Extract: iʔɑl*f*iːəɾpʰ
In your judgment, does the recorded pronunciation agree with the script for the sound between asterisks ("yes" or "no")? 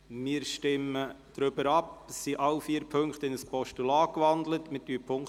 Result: yes